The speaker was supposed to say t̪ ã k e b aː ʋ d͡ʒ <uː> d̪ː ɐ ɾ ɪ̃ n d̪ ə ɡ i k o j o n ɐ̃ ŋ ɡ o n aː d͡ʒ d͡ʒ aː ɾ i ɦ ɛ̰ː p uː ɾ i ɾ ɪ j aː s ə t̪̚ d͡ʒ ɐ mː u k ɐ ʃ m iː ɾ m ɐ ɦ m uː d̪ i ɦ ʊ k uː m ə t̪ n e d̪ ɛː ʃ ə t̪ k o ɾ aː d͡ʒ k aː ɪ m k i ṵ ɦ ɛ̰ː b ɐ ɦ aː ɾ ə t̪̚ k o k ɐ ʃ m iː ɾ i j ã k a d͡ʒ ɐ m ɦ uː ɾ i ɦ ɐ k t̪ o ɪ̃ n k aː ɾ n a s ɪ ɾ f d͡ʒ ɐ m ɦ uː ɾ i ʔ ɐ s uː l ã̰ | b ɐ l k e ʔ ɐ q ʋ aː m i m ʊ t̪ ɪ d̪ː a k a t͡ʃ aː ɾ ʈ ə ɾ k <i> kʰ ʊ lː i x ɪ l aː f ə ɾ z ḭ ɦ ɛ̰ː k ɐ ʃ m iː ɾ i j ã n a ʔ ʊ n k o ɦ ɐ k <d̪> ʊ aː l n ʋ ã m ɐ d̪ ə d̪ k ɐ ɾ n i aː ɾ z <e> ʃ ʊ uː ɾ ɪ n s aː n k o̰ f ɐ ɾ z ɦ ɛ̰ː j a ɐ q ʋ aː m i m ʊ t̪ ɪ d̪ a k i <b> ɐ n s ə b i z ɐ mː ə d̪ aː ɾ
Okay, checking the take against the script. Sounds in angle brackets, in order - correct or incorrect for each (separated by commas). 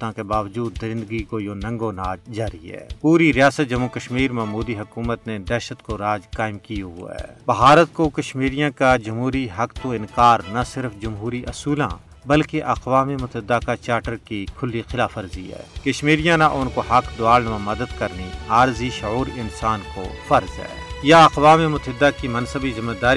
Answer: correct, correct, correct, incorrect, incorrect